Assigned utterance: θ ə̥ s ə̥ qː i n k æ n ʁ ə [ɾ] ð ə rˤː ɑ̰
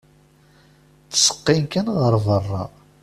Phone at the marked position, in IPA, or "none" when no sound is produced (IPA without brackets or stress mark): ɾ